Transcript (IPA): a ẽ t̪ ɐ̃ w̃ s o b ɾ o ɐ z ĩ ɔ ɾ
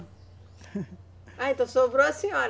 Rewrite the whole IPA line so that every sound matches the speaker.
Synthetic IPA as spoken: a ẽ t̪ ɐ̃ w̃ s o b ɾ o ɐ s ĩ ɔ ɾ